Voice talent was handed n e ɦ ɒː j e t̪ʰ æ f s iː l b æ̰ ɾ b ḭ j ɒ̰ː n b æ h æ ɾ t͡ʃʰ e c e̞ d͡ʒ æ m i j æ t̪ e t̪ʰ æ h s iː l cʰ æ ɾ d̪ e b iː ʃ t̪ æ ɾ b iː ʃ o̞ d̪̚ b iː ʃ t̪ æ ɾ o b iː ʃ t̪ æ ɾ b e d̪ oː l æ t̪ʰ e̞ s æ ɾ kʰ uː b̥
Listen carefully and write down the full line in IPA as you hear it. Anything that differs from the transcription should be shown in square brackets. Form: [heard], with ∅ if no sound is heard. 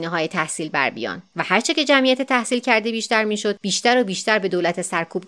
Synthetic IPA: n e ɦ ɒː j e t̪ʰ æ [h] s iː l b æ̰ ɾ b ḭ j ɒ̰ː n [v] æ h æ ɾ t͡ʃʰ e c e̞ d͡ʒ æ m i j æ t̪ e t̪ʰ æ h s iː l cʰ æ ɾ d̪ e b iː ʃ t̪ æ ɾ [m] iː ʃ o̞ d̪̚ b iː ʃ t̪ æ ɾ o b iː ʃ t̪ æ ɾ b e d̪ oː l æ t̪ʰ e̞ s æ ɾ kʰ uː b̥